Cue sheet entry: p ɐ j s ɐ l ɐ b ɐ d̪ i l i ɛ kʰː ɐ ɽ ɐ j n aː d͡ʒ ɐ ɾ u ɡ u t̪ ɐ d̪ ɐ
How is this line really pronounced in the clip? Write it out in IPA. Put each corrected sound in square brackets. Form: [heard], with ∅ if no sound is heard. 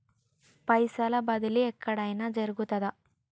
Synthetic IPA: p ɐ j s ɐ l ɐ b ɐ d̪ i l i ɛ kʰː ɐ ɽ ɐ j n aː d͡ʒ ɐ ɾ u ɡ u t̪ ɐ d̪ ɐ